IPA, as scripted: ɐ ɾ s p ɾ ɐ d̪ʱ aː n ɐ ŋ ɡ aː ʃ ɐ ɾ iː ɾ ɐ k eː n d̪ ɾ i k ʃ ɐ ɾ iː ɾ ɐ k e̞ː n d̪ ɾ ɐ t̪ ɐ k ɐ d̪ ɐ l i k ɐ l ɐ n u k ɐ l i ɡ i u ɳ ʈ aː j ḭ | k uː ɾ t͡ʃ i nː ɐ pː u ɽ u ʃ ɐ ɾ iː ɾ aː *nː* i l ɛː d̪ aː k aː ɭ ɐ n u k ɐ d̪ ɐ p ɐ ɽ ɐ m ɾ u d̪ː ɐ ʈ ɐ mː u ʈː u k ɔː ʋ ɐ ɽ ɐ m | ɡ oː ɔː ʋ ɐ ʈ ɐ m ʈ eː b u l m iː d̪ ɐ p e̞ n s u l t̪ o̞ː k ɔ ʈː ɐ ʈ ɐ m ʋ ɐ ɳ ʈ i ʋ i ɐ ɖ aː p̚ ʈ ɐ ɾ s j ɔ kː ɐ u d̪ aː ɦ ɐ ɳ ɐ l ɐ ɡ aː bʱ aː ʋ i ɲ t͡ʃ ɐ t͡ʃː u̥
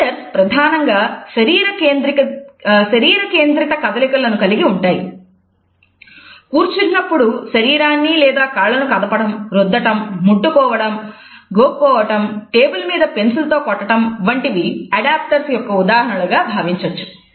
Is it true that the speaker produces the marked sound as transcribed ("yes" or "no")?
yes